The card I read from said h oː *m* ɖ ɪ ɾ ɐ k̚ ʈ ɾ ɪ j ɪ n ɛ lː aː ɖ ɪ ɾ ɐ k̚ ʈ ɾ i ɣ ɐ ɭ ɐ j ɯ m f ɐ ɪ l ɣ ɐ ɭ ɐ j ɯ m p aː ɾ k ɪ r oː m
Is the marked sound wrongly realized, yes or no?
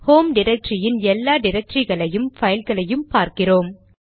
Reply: no